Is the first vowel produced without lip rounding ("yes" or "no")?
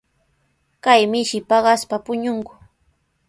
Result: yes